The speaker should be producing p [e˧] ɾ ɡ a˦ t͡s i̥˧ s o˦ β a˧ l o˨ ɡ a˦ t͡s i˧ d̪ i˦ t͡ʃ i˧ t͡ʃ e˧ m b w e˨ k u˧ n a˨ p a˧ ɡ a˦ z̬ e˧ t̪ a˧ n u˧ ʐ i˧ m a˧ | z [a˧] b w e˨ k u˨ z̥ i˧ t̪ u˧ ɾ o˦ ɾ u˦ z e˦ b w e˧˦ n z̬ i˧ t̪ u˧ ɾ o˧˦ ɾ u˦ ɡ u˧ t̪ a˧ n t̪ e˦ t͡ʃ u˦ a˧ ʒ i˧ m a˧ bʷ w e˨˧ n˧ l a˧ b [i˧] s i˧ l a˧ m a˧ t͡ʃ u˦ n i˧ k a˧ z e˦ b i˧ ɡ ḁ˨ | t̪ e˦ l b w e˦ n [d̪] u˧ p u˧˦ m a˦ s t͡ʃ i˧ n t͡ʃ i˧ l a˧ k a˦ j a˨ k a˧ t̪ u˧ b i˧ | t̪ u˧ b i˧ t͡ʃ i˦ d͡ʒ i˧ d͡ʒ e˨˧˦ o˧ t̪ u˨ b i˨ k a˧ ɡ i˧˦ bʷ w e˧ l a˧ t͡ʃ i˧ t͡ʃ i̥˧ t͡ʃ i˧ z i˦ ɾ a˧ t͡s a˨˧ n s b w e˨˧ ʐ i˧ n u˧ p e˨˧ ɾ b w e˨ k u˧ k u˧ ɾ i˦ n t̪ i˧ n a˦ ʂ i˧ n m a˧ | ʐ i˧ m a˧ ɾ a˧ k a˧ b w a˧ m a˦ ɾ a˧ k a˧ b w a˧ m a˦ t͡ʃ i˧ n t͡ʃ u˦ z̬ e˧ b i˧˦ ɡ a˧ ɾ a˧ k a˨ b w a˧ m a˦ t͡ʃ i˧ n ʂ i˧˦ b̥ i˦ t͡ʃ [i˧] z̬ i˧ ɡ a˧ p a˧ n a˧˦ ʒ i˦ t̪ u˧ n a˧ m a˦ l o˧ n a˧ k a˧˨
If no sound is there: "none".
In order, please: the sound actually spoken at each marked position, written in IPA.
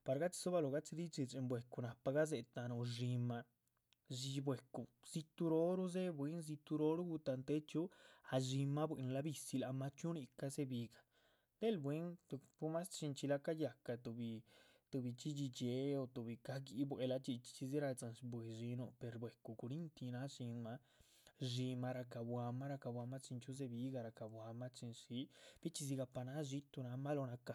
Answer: a˧, i˧, i˧, t̪, i˧

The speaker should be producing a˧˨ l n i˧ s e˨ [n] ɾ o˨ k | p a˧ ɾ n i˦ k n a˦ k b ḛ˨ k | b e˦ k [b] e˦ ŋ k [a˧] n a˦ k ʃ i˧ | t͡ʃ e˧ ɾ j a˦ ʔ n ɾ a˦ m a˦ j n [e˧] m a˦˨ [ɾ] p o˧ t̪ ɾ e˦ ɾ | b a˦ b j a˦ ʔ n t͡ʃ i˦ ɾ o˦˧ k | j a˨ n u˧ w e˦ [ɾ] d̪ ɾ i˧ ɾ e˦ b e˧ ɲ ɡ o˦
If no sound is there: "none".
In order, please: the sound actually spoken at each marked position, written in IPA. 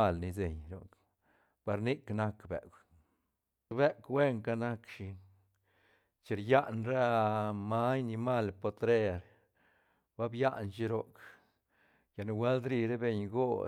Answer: ɲ, w, a˧, i˧, l, l

